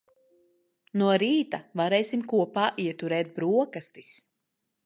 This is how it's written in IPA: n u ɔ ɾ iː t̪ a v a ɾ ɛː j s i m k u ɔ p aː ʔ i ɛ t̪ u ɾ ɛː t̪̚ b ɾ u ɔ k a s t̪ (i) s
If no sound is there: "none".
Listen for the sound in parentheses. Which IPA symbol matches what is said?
i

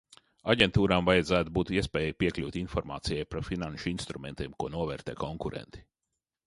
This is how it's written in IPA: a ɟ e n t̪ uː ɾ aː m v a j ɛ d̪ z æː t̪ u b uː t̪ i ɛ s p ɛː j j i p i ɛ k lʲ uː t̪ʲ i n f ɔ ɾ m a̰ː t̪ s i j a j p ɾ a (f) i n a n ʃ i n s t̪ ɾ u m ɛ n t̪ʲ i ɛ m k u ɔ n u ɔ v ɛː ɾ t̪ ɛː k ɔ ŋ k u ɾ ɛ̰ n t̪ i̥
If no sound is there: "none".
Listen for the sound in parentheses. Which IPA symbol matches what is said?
f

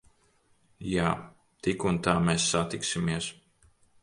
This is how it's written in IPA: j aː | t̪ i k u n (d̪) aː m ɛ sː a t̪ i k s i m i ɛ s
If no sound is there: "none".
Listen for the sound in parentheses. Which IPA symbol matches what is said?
t̪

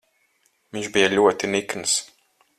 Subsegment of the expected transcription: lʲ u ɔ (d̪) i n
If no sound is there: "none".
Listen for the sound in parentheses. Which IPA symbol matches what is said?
t̪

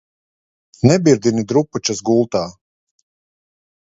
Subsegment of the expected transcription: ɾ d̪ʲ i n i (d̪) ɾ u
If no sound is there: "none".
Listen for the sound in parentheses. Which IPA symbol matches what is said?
d̪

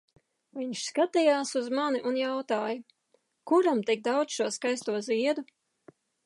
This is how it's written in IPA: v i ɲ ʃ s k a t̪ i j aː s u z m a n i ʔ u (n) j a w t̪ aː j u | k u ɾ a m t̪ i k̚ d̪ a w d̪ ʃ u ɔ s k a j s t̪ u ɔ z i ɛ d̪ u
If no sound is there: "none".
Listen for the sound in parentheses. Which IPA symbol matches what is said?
n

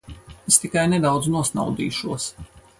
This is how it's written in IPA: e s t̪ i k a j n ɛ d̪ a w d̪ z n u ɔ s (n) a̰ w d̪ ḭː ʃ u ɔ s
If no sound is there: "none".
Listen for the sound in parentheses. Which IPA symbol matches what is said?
n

